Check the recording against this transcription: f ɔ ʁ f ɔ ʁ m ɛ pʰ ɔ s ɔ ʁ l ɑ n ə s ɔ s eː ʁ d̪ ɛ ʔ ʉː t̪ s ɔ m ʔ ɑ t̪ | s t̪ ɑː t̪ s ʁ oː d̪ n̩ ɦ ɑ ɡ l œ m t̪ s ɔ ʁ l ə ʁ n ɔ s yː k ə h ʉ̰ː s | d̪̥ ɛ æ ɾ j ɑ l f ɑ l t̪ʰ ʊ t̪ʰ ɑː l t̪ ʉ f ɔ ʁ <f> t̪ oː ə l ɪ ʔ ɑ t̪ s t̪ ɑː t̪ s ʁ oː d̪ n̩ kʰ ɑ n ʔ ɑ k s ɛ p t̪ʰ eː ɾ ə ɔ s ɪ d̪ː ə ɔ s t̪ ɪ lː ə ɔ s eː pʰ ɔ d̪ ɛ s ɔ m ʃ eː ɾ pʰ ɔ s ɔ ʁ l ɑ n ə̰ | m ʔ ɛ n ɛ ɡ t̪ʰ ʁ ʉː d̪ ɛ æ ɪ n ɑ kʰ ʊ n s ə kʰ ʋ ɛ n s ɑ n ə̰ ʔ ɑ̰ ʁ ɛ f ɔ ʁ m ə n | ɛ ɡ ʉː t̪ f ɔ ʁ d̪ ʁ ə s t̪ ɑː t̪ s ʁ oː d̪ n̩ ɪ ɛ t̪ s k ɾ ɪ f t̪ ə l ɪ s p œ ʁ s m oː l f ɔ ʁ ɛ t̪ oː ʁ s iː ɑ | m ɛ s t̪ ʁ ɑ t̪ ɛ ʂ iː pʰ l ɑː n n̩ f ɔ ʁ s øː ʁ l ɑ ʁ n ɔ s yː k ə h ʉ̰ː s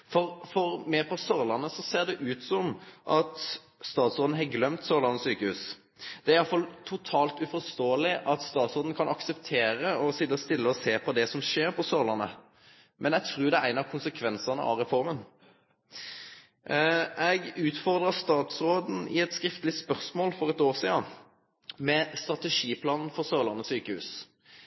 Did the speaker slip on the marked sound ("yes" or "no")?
yes